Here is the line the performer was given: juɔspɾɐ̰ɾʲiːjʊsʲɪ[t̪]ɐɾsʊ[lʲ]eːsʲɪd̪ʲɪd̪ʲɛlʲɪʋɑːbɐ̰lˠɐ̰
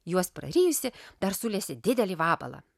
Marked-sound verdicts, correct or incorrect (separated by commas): incorrect, correct